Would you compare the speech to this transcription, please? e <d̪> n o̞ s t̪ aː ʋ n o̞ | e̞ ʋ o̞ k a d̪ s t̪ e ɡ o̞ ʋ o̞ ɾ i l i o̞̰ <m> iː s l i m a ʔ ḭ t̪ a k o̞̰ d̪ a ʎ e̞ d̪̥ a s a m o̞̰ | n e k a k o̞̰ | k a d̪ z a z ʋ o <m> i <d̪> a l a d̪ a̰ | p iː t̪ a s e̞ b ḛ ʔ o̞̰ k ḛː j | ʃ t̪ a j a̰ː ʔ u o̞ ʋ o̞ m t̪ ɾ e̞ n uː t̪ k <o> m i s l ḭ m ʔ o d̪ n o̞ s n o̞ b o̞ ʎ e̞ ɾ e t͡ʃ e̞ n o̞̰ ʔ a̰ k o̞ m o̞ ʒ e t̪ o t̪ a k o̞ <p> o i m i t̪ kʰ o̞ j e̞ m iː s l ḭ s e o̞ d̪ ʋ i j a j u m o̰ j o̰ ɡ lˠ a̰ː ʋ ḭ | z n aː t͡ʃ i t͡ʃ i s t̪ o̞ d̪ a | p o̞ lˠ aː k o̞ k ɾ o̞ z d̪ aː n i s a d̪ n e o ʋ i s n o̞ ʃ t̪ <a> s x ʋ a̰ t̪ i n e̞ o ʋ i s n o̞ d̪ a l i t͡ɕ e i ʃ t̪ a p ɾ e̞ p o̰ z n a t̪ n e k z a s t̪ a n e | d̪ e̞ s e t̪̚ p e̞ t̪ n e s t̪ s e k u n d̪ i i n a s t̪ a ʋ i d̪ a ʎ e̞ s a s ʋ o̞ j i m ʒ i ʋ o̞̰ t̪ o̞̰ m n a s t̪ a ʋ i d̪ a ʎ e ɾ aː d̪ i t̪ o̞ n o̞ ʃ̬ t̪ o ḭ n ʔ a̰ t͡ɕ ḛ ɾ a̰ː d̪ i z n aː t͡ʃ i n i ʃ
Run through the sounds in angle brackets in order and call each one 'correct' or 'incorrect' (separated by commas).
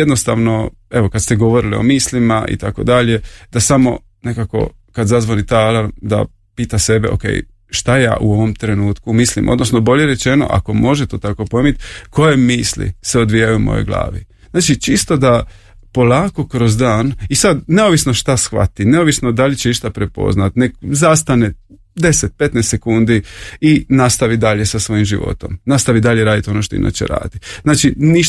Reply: correct, correct, incorrect, incorrect, incorrect, correct, correct